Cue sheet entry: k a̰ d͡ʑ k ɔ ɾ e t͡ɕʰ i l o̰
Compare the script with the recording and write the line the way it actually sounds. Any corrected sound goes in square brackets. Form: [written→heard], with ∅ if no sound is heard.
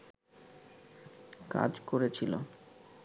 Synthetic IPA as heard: k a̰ d͡ʑ k [ɔ→o] ɾ e t͡ɕʰ i l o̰